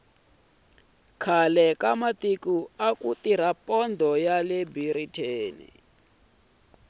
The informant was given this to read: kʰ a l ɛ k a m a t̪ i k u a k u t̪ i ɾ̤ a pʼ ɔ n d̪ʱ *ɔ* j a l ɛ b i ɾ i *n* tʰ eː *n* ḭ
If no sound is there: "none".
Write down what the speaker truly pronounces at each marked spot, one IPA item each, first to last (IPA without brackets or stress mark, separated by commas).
ɔ, none, n